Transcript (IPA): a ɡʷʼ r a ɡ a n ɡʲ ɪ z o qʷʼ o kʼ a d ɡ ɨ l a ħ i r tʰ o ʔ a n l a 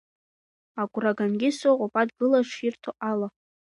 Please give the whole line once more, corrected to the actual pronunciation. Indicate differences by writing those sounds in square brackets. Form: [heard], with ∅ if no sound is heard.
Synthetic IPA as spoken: a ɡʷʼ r a ɡ a n ɡʲ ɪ [s] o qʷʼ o [pʼ] a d ɡ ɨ l a [ʂ] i r tʰ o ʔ a [∅] l a